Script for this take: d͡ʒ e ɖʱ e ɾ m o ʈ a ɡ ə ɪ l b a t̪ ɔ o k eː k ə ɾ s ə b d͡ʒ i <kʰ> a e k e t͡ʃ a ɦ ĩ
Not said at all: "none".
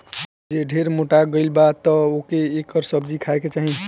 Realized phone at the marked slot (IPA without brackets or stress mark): kʰ